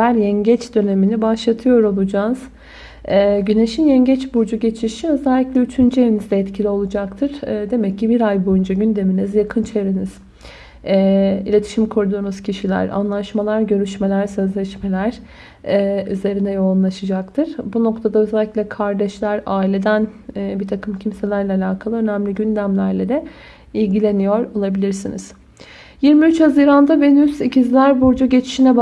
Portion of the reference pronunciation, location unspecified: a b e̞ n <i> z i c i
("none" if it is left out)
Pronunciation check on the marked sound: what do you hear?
y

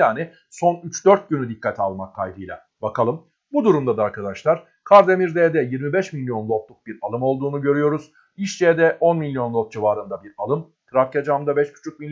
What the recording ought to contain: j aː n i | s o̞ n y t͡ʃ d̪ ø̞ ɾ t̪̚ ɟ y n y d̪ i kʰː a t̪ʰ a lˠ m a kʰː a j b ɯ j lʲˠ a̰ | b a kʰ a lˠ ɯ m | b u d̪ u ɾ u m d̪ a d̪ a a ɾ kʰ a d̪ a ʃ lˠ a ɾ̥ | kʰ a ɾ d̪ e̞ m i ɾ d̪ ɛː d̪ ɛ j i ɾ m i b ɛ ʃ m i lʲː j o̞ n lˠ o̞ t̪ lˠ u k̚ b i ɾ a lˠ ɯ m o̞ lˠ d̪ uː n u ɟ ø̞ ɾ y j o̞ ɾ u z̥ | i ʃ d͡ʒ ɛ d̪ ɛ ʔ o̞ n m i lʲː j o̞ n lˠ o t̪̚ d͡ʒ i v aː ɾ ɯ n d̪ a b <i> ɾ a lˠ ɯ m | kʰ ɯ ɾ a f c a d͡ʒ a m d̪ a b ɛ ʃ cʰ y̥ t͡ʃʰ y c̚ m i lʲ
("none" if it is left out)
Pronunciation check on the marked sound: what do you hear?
i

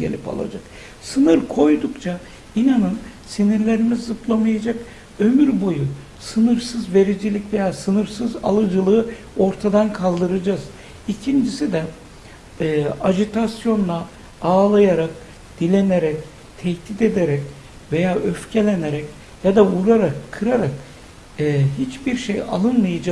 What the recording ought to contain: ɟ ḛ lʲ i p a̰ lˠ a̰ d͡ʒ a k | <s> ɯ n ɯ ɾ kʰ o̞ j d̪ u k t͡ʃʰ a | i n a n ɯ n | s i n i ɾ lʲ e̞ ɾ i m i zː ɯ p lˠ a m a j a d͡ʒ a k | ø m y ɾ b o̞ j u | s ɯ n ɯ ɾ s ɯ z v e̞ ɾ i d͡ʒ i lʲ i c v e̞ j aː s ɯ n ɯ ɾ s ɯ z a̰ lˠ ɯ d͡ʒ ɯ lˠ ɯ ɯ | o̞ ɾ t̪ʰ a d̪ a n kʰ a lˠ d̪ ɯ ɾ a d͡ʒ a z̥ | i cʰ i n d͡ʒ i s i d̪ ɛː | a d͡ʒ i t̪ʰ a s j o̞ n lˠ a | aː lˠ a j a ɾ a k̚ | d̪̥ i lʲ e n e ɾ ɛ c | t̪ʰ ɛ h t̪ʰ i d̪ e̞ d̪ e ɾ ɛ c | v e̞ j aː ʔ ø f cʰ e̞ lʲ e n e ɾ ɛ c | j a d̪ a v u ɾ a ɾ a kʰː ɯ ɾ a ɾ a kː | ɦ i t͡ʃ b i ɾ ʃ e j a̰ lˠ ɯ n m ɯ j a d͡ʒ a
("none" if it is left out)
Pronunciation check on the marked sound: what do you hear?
s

